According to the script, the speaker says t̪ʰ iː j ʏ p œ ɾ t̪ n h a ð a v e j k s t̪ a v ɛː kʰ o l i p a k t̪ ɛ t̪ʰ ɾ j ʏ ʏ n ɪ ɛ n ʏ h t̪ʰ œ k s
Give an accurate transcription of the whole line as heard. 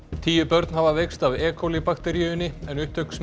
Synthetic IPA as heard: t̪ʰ iː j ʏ p œ ɾ t̪ n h a v a v e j k s t̪ a v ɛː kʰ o l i p a k t̪ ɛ ɾ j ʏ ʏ n ɪ ɛ n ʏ h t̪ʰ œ k s

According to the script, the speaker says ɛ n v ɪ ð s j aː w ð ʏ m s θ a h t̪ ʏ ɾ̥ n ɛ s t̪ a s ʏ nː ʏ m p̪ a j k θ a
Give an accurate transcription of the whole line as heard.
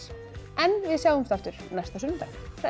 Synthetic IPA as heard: ɛ n v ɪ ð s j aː w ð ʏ m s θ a f t̪ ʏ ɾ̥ n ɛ s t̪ a s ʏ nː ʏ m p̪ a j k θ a

